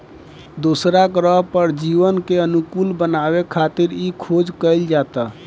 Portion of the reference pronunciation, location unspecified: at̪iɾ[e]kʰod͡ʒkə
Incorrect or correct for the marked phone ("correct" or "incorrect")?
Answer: incorrect